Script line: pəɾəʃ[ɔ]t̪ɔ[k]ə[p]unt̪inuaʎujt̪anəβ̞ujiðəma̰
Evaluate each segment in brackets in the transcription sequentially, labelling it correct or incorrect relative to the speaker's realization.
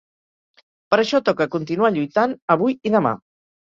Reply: correct, correct, incorrect: k

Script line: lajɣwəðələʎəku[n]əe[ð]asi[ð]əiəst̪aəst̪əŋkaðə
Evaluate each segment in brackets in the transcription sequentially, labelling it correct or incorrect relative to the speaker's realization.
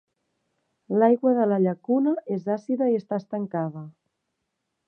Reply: correct, incorrect: z, correct

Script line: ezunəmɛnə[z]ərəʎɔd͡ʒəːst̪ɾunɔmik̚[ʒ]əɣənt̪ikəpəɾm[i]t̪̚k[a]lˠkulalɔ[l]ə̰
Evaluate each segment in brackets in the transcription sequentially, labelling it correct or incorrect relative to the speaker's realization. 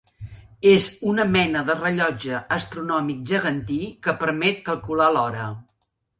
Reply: incorrect: ð, correct, incorrect: ɛ, incorrect: ə, incorrect: ɾ

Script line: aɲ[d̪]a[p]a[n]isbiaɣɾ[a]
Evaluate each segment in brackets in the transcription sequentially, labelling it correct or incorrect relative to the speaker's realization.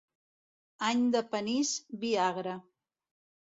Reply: correct, correct, correct, correct

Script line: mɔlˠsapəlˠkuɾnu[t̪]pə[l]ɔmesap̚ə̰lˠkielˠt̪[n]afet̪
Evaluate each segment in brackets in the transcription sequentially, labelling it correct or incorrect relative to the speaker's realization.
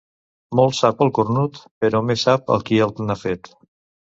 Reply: correct, incorrect: ɾ, correct

